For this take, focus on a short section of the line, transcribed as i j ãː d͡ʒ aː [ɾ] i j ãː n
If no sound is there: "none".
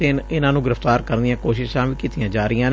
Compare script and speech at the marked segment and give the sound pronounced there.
ɾ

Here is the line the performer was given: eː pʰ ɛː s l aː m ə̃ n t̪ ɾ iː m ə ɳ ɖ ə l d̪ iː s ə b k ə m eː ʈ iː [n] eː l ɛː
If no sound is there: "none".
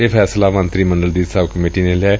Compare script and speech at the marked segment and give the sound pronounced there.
n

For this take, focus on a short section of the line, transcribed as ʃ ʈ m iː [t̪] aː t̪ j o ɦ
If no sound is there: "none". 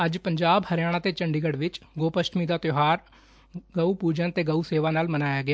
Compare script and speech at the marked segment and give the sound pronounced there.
d̪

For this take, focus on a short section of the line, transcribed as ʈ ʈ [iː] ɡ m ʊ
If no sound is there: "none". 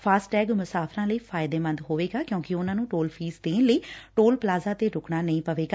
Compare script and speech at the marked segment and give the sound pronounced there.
ɛː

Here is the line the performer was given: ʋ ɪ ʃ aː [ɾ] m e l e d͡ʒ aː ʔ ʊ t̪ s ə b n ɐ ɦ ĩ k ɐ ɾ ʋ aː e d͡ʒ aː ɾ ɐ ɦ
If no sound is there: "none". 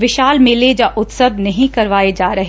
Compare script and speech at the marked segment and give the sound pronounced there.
l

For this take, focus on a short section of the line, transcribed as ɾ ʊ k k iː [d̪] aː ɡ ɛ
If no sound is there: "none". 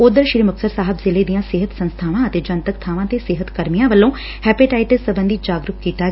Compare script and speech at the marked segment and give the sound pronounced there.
t̪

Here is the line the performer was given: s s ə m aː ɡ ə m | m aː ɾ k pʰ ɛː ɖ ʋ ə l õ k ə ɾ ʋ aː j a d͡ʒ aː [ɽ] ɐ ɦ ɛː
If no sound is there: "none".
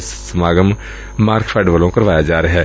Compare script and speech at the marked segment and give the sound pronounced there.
ɾ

